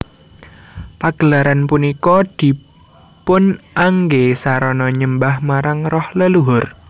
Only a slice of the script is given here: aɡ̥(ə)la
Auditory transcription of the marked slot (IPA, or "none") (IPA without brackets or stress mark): ə